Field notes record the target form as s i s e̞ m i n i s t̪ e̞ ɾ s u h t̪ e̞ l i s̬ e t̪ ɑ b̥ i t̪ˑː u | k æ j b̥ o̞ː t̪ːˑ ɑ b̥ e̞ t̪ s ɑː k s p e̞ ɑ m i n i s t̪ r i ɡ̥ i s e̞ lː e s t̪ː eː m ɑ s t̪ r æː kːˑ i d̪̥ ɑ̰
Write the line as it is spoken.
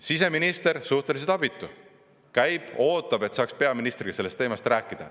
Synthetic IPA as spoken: s i s e̞ m i n i s t̪ e̞ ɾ s u h t̪ e̞ l i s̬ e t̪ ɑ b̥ i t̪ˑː u | k æ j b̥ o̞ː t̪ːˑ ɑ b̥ e̞ t̪ s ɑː k s p e̞ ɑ m i n i s t̪ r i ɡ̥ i s e̞ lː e s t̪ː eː m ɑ s t̪ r æː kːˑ i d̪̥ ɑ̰